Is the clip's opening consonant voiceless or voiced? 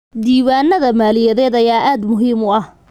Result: voiced